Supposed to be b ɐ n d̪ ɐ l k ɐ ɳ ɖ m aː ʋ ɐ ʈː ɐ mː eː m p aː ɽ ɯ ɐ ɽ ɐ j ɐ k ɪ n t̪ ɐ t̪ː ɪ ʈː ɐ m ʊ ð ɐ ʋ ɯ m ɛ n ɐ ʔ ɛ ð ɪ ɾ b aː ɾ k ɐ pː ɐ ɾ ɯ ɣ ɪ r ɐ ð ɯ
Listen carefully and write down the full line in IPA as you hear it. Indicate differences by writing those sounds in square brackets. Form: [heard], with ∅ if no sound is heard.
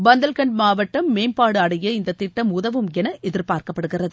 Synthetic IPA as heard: b ɐ n d̪ ɐ l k ɐ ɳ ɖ m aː ʋ ɐ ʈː ɐ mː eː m p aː ɽ ɯ ɐ ɽ ɐ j ɐ [∅] ɪ n [d̪] ɐ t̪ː ɪ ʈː ɐ m ʊ ð ɐ ʋ ɯ m ɛ n ɐ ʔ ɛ ð ɪ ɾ [p] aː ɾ k ɐ pː ɐ [ɽ] ɯ ɣ ɪ r ɐ ð ɯ